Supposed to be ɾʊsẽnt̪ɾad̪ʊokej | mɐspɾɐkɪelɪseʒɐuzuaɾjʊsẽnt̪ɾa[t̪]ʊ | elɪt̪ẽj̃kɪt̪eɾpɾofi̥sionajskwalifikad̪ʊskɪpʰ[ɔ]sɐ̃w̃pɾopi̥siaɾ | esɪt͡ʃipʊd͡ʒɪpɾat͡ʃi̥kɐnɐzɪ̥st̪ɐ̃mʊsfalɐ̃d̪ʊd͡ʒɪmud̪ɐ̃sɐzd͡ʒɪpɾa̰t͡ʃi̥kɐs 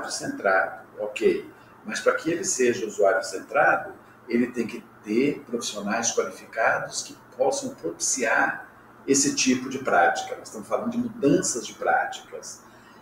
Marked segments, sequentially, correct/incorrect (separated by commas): incorrect, correct